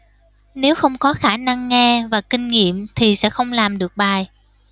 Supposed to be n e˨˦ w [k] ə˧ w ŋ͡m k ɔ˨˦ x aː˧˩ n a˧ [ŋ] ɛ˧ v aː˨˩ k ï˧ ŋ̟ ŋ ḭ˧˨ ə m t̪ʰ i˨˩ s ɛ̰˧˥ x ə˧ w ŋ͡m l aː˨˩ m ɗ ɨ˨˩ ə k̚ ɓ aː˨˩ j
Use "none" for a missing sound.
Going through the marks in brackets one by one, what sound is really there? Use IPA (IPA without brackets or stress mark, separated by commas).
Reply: x, ŋː